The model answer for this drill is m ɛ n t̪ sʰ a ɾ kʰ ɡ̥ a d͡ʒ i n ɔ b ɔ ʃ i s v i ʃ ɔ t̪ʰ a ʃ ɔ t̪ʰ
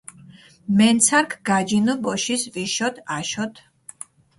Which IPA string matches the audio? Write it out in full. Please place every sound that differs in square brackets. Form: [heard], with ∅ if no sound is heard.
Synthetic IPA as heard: m ɛ n t̪ sʰ a ɾ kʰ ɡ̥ a d͡ʒ i n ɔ b ɔ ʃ i s v i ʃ ɔ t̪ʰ a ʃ ɔ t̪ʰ